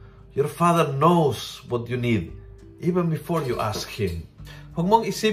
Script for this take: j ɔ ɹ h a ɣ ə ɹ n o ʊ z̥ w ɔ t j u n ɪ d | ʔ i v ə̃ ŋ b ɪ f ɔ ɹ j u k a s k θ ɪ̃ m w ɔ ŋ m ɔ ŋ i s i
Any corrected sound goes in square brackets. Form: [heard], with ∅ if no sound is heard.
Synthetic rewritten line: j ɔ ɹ [f] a [ð] ə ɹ n o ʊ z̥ w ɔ t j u n [i] d | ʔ i v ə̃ [n] b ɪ f ɔ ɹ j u [ʔ] a s k [h] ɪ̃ m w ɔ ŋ m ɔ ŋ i s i